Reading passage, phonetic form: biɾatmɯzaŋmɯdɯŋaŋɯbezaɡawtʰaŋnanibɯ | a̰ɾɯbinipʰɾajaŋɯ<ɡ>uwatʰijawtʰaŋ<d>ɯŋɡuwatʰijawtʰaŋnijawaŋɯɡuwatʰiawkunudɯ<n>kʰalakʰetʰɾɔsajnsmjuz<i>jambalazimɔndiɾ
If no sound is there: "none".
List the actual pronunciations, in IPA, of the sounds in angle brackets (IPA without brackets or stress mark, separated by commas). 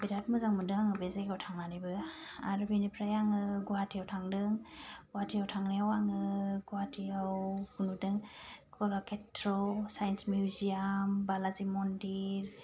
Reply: ɡ, d, ŋ, i